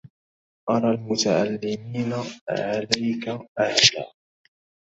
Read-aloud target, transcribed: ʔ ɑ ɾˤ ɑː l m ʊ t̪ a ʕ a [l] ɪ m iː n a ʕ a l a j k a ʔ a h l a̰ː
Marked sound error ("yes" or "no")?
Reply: yes